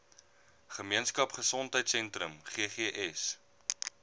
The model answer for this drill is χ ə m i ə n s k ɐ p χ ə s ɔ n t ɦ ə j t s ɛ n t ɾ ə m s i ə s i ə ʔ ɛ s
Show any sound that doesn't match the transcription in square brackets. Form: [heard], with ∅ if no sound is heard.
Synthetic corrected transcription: χ ə m i ə n s k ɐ p χ ə s ɔ n t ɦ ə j t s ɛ n t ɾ ə m [χ] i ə [χ] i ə ʔ ɛ s